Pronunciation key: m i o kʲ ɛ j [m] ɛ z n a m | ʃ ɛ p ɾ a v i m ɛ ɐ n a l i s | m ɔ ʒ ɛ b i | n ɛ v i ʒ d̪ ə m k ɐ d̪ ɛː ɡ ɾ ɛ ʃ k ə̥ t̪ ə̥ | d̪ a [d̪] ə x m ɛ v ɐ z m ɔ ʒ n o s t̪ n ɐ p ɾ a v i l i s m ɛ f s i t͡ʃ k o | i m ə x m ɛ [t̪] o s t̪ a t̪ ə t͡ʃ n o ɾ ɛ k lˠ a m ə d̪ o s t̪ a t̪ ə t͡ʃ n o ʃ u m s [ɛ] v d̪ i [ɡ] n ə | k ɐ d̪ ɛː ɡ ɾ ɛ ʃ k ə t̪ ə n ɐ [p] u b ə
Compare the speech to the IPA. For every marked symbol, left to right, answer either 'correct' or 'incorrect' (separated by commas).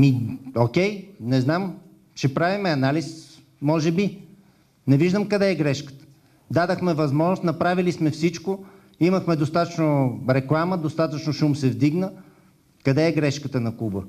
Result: incorrect, correct, incorrect, correct, correct, incorrect